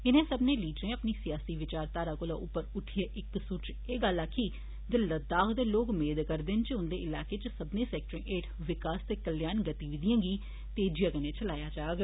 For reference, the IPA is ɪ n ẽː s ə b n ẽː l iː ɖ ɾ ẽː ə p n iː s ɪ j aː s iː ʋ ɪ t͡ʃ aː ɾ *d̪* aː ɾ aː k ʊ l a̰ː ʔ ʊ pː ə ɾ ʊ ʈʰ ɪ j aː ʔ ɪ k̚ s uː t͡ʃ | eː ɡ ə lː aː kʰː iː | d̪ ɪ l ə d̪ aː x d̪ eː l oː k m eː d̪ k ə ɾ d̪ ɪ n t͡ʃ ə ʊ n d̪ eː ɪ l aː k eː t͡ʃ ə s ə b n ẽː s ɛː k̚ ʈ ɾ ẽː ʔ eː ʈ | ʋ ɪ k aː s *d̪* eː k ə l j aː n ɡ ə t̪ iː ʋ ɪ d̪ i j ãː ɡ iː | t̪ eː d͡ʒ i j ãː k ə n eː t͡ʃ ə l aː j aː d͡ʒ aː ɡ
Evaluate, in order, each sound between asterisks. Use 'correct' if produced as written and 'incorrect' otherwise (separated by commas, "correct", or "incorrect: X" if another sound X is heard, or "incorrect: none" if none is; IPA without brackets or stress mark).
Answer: incorrect: t̪, incorrect: t̪